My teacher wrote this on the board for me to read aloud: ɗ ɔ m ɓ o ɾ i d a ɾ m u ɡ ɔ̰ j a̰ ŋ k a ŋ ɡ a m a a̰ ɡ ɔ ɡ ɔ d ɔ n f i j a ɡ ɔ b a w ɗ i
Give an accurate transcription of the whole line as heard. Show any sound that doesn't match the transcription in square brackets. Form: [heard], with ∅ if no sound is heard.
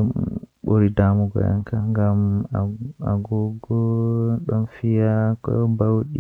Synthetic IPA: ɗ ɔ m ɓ o ɾ i d a [∅] m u ɡ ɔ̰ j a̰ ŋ k a ŋ ɡ a m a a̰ ɡ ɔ ɡ ɔ [ɗ] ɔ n f i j a [k] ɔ b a w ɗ i